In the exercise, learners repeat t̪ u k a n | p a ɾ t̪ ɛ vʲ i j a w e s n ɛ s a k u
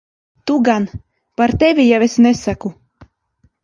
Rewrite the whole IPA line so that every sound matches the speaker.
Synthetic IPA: t̪ u ɡ a n | p a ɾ t̪ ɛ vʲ i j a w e s n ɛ s a k u